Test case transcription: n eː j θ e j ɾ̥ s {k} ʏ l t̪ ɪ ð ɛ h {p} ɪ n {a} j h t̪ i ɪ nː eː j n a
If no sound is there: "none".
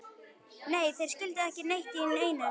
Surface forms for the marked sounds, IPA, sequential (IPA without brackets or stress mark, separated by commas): c, c, e